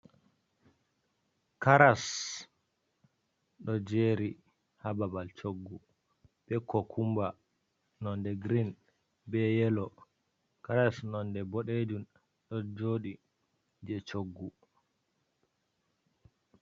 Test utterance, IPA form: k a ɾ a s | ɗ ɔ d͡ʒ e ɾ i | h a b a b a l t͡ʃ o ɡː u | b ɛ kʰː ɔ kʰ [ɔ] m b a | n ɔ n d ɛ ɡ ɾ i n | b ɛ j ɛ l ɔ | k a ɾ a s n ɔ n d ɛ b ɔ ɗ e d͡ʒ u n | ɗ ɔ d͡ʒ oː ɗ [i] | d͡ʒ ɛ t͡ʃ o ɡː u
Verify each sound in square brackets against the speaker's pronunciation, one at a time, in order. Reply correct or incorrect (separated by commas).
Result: incorrect, correct